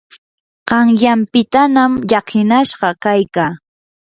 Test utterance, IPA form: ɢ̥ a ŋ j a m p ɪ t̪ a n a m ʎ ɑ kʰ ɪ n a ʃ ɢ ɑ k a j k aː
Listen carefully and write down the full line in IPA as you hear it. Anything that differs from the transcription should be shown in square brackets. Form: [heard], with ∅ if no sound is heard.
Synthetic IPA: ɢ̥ [ɑ] ŋ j a m p ɪ t̪ a n a m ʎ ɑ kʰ ɪ n a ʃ ɢ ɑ k a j k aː